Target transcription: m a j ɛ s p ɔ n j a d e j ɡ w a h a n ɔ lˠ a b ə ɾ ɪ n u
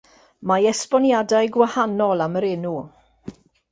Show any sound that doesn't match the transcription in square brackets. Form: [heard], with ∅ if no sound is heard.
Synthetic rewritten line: m a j ɛ s p ɔ n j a d [a] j ɡ w a h a n ɔ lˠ a [m] ə ɾ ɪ n u